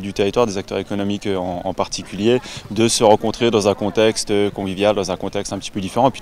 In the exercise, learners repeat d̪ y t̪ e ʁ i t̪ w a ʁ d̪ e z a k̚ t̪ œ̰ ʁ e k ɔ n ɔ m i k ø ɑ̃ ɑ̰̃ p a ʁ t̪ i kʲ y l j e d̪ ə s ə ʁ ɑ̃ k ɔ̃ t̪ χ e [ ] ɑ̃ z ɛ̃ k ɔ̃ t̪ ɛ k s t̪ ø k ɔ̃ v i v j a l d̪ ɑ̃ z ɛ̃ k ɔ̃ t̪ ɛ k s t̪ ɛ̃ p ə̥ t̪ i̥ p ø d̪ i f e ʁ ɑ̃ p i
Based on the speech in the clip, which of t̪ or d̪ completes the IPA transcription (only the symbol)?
d̪